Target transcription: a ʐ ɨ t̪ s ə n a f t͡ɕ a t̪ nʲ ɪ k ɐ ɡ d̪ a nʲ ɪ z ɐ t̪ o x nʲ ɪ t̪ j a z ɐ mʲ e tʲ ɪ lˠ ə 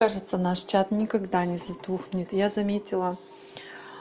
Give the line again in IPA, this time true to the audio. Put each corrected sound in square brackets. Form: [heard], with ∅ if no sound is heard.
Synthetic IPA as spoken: a ʐ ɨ t̪ s ə n a [ʂ] t͡ɕ a t̪ nʲ ɪ k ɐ ɡ d̪ a nʲ ɪ z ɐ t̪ [u] x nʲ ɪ t̪ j a z ɐ mʲ e tʲ ɪ lˠ ə